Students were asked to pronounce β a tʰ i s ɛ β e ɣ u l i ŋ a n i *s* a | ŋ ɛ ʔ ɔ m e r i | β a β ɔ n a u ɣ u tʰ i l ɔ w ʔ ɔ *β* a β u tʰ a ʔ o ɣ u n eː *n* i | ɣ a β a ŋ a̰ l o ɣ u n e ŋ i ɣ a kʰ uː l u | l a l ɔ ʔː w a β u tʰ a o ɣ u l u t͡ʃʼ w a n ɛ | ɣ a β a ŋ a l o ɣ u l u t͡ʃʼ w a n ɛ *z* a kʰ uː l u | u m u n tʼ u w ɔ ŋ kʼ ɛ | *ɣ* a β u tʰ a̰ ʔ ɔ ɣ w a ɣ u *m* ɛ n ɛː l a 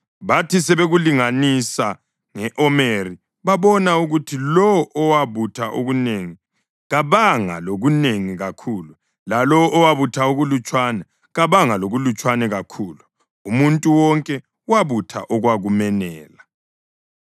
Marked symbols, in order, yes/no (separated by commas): yes, no, no, no, no, yes